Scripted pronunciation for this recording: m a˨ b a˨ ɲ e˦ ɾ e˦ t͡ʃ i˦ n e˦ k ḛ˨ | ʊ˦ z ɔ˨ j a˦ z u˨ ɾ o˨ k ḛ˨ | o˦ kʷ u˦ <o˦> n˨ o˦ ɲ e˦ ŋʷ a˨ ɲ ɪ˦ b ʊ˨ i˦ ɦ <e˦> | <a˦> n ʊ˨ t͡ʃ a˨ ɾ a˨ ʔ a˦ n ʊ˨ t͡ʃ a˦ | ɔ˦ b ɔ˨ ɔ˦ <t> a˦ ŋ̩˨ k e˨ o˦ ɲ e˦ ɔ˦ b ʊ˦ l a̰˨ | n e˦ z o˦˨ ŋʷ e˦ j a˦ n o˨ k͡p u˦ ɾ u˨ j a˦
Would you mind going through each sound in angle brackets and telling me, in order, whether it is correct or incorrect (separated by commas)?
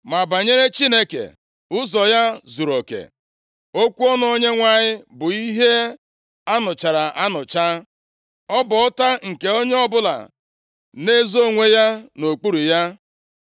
incorrect, correct, correct, correct